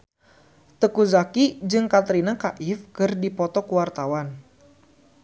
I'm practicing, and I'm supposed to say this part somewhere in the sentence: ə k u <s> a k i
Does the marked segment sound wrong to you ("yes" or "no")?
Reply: yes